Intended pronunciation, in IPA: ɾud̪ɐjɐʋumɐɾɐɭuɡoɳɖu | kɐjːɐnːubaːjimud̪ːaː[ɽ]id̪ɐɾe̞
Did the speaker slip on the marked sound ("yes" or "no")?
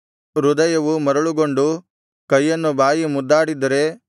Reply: no